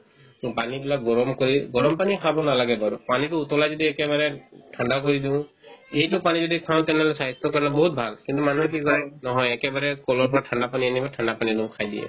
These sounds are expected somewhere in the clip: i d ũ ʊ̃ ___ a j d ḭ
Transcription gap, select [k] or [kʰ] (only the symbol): kʰ